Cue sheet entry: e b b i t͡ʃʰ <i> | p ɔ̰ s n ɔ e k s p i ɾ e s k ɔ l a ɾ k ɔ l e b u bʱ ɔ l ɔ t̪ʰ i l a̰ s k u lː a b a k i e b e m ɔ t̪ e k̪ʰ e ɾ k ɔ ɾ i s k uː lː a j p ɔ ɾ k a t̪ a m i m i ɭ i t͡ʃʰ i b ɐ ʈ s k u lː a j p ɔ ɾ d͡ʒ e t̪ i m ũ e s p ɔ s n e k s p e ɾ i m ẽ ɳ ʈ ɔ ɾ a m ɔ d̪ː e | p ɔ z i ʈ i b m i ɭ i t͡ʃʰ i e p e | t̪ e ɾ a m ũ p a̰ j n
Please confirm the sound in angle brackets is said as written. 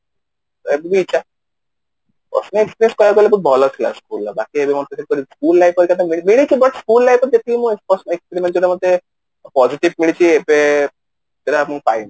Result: no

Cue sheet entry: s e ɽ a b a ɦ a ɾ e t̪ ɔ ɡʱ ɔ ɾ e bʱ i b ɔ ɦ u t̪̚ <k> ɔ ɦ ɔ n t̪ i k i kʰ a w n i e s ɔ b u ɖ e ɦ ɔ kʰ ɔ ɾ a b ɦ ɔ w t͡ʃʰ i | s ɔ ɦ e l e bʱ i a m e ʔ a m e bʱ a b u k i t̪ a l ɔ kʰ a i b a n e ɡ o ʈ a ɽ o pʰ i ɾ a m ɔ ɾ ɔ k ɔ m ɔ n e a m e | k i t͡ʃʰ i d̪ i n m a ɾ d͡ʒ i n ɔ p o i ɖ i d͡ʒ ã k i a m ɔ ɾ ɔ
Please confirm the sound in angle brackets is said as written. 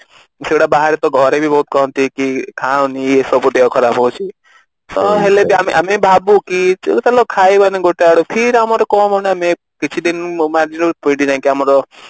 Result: yes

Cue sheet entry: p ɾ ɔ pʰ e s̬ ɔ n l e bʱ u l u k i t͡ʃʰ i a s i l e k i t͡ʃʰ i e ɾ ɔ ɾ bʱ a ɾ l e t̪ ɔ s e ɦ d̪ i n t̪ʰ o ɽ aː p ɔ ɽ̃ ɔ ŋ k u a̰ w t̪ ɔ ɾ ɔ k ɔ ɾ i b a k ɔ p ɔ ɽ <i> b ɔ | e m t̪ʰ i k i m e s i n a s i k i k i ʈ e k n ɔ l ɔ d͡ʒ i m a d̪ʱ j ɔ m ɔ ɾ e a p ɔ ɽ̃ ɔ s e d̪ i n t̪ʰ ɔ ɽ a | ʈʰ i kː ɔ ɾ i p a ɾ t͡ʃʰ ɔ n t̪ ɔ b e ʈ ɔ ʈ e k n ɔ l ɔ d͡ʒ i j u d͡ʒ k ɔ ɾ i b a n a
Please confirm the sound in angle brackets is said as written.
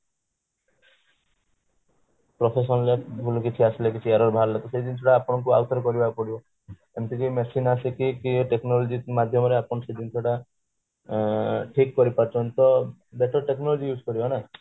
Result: yes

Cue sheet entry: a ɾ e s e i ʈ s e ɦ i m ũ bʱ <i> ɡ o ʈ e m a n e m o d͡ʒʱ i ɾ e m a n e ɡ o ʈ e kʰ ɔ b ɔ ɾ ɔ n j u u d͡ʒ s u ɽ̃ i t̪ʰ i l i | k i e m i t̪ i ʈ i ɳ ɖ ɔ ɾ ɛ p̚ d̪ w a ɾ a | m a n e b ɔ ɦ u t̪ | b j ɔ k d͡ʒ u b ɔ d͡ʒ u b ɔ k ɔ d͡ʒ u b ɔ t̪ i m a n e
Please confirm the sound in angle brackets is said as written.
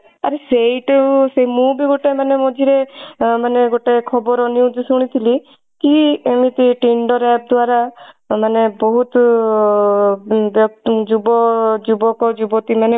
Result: yes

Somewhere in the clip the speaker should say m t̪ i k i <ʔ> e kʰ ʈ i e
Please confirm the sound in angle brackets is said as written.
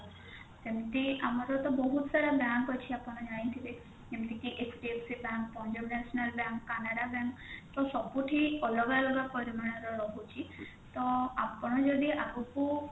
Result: yes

